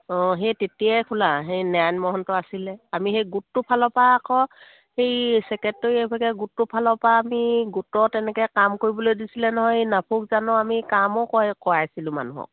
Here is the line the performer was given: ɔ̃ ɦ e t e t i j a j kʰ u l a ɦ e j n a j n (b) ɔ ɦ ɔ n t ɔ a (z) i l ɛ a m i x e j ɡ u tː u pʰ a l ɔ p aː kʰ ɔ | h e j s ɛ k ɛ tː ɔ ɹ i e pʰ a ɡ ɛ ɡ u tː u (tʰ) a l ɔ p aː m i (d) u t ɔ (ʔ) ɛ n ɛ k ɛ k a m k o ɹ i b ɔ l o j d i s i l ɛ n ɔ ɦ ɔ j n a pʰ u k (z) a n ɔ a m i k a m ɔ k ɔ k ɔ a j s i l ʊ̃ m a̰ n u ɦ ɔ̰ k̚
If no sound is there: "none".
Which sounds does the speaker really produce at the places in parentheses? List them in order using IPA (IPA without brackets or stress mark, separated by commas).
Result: m, s, pʰ, ɡ, t, z